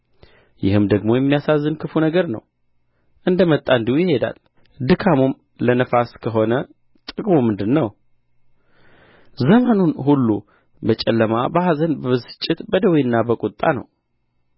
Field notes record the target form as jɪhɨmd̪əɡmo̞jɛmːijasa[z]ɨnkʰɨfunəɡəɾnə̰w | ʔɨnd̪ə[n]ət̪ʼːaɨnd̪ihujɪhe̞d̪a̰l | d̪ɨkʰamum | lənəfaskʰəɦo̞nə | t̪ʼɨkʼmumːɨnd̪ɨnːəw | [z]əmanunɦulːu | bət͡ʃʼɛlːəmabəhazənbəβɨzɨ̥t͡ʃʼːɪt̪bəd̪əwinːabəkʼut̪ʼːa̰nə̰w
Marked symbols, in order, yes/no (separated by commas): no, no, yes